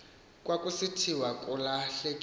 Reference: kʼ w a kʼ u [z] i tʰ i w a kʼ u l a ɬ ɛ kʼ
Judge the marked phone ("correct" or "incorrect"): incorrect